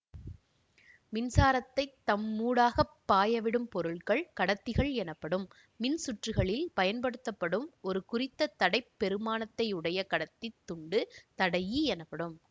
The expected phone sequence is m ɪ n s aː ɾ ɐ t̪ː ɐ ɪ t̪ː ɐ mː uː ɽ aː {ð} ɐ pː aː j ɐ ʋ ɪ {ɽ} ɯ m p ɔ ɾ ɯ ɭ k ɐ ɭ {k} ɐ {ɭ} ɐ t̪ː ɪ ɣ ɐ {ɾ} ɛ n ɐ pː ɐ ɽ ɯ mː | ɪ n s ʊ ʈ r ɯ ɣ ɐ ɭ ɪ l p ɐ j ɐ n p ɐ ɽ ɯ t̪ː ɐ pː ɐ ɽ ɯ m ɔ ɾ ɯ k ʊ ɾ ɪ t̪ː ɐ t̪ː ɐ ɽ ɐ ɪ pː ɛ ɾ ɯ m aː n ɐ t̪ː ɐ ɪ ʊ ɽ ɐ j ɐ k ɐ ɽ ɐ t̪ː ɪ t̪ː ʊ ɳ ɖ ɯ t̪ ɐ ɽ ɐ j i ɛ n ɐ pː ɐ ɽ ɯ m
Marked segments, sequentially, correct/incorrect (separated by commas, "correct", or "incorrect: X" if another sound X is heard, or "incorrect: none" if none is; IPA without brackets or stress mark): incorrect: ɣ, correct, correct, incorrect: ɽ, incorrect: ɭ